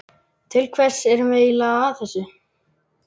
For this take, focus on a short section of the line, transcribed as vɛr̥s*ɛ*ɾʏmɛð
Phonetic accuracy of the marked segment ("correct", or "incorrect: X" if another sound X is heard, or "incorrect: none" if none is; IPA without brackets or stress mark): correct